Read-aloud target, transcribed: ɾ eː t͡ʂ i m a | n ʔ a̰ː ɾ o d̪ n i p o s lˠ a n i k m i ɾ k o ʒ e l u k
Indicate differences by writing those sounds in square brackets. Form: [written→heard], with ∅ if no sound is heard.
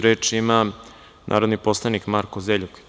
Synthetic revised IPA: ɾ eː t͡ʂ i m a | n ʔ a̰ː ɾ o d̪ n i p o s lˠ a n i k m [i→a] ɾ k o [ʒ→z] e [l→ʎ] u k